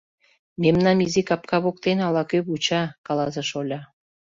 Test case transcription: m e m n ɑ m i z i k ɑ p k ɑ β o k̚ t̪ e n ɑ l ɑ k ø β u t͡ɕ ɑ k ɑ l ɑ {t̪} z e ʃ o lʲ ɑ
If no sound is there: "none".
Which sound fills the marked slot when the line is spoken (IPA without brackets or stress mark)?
none